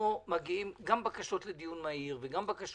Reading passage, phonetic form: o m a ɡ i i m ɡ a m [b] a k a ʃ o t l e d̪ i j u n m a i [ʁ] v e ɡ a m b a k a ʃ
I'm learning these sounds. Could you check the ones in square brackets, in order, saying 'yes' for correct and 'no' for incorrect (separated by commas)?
yes, yes